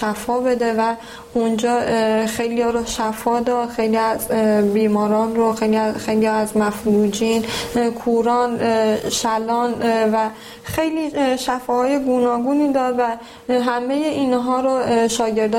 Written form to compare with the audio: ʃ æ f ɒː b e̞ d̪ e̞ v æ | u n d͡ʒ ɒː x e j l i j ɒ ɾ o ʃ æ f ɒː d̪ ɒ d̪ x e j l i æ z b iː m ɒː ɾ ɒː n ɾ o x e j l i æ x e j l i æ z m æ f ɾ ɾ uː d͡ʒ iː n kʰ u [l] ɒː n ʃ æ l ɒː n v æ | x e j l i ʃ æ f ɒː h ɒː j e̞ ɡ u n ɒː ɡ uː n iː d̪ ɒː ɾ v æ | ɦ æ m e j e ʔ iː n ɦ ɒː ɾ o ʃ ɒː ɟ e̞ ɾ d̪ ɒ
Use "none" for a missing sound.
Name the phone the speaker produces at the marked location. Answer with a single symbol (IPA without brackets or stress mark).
ɾ